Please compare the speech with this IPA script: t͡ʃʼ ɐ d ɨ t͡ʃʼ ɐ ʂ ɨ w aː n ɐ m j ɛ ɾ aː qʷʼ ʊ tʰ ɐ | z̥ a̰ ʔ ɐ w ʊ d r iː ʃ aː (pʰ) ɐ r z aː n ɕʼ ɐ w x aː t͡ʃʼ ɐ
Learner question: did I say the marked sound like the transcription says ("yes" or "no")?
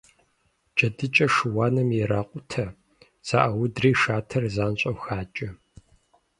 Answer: no